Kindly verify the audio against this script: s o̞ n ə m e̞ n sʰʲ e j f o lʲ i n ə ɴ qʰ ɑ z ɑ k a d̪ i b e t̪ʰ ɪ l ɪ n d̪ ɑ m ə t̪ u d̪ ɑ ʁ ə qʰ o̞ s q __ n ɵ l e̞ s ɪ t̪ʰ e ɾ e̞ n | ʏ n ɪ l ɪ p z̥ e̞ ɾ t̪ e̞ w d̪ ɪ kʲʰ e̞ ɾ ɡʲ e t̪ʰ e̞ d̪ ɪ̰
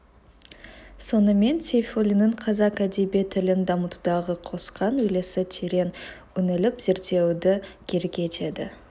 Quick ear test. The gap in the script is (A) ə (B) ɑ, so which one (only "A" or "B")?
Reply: B